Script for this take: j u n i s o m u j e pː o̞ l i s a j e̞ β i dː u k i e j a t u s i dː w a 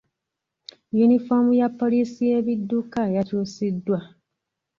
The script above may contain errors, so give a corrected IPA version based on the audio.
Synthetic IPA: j u n i f o m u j a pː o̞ l i s i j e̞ β i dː u k a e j a t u s i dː w a